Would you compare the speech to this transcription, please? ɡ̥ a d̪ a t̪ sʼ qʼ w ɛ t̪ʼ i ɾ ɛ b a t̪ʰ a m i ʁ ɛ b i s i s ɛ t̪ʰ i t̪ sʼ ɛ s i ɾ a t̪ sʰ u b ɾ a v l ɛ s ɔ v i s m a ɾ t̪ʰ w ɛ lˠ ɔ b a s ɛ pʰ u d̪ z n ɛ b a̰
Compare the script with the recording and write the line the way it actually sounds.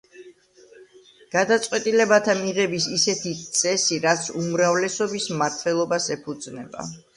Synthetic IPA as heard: ɡ̥ a d̪ a t̪ sʼ qʼ w ɛ t̪ʼ i l ɛ b a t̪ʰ a m i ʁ ɛ b i s i s ɛ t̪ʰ i t̪ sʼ ɛ s i ɾ a t̪ sʰ u m ɾ a v l ɛ s ɔ b i s m a ɾ t̪ʰ w ɛ lˠ ɔ b a s ɛ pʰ u d̪ z n ɛ b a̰

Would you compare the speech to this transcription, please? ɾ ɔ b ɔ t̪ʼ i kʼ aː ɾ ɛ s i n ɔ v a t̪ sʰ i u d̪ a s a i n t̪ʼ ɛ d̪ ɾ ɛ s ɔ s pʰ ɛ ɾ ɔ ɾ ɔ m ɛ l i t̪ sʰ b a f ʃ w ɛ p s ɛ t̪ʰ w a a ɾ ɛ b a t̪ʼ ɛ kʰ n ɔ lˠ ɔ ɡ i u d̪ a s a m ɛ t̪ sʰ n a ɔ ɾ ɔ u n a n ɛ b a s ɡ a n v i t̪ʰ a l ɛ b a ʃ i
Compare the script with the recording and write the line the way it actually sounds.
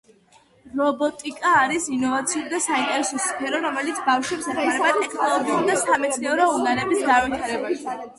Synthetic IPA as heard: ɾ ɔ b ɔ t̪ʼ i kʼ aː ɾ i s i n ɔ v a t̪ sʰ i u d̪ a s a i n t̪ʼ ɛ ɾ ɛ s ɔ s pʰ ɛ ɾ ɔ ɾ ɔ m ɛ l i t̪ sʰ b a f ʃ w ɛ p s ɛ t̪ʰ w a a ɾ ɛ b a t̪ʼ ɛ kʰ n ɔ lˠ ɔ ɡ i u d̪ a s a m ɛ t̪ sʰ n ɛ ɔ ɾ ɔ u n a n ɛ b i s ɡ a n v i t̪ʰ a ɾ ɛ b a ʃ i

